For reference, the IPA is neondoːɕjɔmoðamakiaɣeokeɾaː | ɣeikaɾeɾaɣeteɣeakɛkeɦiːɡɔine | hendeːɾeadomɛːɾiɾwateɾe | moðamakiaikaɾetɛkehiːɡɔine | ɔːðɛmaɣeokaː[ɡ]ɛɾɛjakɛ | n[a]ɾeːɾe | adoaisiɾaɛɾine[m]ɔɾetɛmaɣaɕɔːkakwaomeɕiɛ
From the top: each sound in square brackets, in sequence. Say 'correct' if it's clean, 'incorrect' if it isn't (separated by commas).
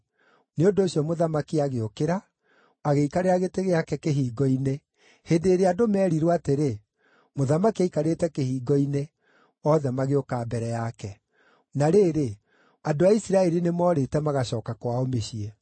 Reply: incorrect, correct, correct